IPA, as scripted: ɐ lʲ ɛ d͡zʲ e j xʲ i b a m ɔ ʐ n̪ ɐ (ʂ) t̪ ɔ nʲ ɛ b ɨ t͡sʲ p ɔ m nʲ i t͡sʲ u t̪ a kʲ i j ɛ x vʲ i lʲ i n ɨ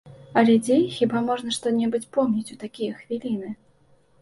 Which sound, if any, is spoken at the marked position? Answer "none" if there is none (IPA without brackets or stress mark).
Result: ʂ